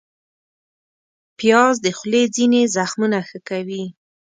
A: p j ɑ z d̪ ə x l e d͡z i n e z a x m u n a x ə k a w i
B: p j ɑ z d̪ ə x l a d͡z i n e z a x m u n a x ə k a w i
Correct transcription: A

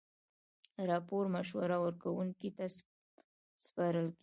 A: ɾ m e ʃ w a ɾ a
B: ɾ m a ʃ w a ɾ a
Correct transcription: B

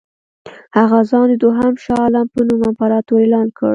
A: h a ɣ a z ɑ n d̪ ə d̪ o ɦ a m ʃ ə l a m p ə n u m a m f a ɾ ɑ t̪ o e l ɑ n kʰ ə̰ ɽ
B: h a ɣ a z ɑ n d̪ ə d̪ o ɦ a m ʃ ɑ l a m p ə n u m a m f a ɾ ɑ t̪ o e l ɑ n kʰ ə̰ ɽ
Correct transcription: B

